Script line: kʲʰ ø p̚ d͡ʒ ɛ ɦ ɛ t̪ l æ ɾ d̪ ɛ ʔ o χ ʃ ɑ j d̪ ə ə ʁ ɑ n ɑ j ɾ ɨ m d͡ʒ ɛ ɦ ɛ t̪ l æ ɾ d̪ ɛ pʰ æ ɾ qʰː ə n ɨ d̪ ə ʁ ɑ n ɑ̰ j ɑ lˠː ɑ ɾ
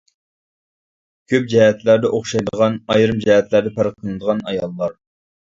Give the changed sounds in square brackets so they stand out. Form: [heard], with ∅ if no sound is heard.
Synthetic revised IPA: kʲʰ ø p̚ d͡ʒ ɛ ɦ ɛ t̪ l æ ɾ d̪ ɛ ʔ o χ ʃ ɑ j d̪ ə ə ʁ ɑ n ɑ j ɾ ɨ m d͡ʒ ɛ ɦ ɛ t̪ l æ ɾ d̪ ɛ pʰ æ ɾ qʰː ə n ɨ d̪ ə ʁ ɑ n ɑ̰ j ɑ lˠː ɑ ɾ